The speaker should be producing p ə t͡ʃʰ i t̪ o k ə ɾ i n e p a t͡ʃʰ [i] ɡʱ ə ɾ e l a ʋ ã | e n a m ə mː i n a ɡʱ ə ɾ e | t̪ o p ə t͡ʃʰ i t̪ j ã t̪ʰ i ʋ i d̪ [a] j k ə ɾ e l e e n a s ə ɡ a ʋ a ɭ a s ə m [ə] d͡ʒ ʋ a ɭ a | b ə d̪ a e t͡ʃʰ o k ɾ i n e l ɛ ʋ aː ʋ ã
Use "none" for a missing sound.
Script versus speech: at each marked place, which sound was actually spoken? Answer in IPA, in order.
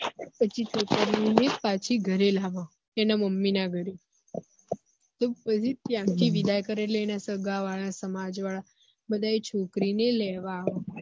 i, a, a

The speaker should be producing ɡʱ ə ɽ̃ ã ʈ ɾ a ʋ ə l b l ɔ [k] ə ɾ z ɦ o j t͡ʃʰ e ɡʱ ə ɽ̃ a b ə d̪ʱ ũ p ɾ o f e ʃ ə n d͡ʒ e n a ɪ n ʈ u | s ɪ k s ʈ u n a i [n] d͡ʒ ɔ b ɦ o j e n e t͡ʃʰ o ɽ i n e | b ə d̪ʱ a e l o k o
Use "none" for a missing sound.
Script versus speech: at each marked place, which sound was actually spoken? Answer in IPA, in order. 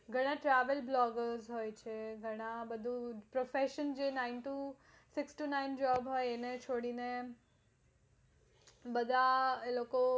ɡ, n

